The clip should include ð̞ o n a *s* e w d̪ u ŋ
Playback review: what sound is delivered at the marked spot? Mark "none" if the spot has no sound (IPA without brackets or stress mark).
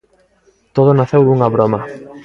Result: θ